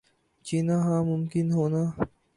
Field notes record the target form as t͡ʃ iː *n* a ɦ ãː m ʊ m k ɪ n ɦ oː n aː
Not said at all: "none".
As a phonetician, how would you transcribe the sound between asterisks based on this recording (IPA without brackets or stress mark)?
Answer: n